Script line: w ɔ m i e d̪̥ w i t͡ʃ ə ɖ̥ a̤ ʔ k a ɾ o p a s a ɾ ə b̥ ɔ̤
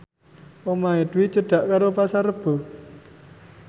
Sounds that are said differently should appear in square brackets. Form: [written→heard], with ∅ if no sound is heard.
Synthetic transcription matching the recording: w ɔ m [i→a] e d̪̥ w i t͡ʃ ə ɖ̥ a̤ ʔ k a ɾ o p a s a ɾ ə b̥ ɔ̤

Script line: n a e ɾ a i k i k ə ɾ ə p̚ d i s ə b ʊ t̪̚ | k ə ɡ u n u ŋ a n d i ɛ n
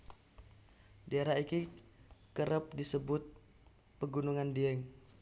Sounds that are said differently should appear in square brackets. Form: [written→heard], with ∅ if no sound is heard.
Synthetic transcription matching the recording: [n→d] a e ɾ a i k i k ə ɾ ə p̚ d i s ə b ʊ t̪̚ | [k→p] ə ɡ u n u ŋ a n d i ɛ [n→ŋ]

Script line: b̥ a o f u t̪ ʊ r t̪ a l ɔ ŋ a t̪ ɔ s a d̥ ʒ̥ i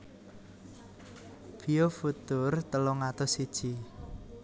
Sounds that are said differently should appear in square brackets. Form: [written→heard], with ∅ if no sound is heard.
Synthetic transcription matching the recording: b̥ [a→i] o f u t̪ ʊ r t̪ [a→ə] l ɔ ŋ a t̪ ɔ s [a→i] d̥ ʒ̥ i

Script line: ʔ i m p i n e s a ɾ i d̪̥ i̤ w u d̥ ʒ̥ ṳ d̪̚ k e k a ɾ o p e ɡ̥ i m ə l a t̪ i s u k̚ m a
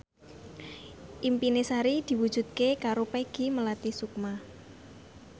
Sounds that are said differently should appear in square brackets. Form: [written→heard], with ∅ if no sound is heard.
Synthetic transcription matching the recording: ʔ i m p i n e s a ɾ i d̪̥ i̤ w u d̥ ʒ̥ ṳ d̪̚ k e k a ɾ o p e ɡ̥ i m ə l a t̪ i s u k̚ m a

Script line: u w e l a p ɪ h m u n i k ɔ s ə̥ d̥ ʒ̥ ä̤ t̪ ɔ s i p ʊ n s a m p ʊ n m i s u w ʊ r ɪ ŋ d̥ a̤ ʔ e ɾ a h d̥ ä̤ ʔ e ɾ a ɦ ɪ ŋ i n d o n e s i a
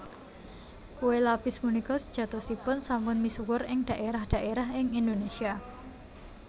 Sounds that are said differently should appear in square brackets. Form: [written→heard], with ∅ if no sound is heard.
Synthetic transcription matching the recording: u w e l a p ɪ [h→s] m u n i k ɔ s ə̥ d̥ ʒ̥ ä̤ t̪ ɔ s i p ʊ n s a m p ʊ n m i s u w ʊ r ɪ ŋ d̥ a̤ ʔ e ɾ a h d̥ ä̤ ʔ e ɾ a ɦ ɪ ŋ i n d o n e s i a

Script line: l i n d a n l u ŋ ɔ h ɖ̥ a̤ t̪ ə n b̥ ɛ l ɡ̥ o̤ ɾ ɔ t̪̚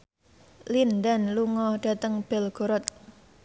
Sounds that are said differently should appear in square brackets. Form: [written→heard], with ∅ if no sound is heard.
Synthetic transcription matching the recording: l i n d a n l u ŋ ɔ h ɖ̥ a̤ t̪ ə [n→ŋ] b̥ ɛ l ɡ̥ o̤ ɾ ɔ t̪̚

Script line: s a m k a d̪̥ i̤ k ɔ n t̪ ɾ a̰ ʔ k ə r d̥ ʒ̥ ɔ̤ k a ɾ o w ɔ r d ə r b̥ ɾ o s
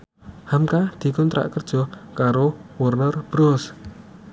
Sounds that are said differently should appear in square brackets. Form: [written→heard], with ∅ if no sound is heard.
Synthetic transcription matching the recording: [s→h] a m k a d̪̥ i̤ k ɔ n t̪ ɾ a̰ ʔ k ə r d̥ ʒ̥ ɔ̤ k a ɾ o w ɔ r [d→n] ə r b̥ ɾ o s

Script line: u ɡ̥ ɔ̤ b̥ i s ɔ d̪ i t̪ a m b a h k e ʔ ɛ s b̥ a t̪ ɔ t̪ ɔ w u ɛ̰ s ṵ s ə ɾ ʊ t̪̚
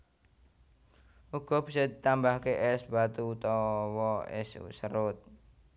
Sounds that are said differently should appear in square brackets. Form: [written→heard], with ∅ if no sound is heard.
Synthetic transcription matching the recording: u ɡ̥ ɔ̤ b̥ i s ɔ d̪ i t̪ a m b a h k e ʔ ɛ s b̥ a t̪ [ɔ→u] t̪ ɔ w [u→ɔ] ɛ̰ s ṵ s ə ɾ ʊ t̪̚

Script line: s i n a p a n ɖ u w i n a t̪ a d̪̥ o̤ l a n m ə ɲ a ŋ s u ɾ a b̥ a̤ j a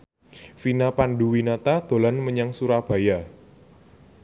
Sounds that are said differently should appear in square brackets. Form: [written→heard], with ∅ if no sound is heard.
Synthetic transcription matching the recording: [s→f] i n a p a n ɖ u w i n a t̪ a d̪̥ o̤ l a n m ə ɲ a ŋ s u ɾ a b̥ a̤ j a

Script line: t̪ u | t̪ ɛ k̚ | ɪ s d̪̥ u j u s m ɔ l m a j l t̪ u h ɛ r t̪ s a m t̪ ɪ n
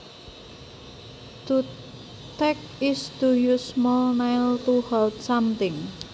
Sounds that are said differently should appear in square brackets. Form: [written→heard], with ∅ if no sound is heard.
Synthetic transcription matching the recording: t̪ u | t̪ ɛ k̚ | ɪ s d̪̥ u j u s m ɔ l [m→n] a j l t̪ u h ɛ [r→l] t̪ s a m t̪ ɪ [n→ŋ]

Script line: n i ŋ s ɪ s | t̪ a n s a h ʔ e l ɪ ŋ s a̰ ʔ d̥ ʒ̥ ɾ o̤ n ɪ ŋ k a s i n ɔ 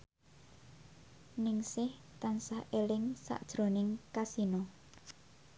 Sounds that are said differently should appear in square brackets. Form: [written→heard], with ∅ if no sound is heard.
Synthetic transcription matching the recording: n [i→ɪ] ŋ s ɪ [s→h] | t̪ a n s a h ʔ e l ɪ ŋ s a̰ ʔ d̥ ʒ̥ ɾ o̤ n ɪ ŋ k a s i n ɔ

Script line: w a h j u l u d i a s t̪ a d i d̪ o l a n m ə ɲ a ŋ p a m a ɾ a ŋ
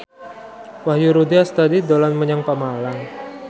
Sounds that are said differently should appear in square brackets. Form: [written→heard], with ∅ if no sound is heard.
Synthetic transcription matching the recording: w a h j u [l→ɾ] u d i a s t̪ a d i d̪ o l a n m ə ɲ a ŋ p a m a [ɾ→l] a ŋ

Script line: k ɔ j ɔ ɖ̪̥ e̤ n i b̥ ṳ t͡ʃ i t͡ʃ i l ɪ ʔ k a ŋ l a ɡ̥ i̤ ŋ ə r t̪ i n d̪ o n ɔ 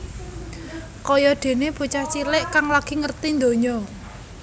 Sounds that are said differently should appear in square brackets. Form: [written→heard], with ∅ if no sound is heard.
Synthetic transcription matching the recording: k ɔ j ɔ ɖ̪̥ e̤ n [i→e] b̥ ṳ t͡ʃ [i→a] t͡ʃ i l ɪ ʔ k a ŋ l a ɡ̥ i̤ ŋ ə r t̪ i n d̪ o [n→ɲ] ɔ

